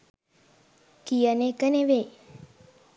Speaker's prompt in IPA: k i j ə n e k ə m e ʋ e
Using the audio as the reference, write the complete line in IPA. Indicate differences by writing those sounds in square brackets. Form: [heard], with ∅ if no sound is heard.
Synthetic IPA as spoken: k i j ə n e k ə [n] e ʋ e